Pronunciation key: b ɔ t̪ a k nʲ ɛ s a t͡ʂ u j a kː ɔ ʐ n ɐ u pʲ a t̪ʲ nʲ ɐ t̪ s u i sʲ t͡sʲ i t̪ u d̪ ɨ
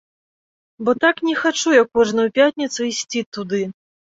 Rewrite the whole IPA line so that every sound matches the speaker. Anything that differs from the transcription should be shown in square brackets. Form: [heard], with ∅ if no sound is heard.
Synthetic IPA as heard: b ɔ t̪ a k nʲ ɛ [x] a t͡ʂ u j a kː ɔ ʐ n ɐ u pʲ a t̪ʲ nʲ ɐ t̪ s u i sʲ t͡sʲ i t̪ u d̪ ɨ